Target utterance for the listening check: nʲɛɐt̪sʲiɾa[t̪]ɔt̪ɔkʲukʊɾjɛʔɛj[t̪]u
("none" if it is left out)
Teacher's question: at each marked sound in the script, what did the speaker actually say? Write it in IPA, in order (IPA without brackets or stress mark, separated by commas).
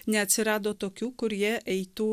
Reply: d̪, t̪